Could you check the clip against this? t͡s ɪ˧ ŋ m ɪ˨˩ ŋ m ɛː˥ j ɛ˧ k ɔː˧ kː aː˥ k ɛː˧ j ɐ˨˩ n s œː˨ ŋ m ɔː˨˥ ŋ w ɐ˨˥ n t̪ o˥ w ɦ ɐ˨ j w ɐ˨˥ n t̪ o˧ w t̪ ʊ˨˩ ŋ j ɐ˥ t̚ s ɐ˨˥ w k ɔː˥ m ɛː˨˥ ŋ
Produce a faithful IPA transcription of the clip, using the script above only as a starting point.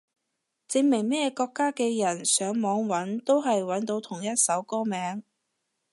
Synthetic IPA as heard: t͡s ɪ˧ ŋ m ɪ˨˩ ŋ m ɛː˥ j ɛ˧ k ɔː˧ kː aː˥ k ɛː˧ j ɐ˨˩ n s œː˨˥ ŋ m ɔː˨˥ ŋ w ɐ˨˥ n t̪ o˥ w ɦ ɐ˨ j w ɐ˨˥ n t̪ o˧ w t̪ʰ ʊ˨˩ ŋ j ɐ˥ t̚ s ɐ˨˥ w k ɔː˥ m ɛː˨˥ ŋ